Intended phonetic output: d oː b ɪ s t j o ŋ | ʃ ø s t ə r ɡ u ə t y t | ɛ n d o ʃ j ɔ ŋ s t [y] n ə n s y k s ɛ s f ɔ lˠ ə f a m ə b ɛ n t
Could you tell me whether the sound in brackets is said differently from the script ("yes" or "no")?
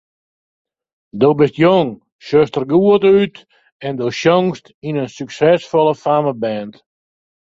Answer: yes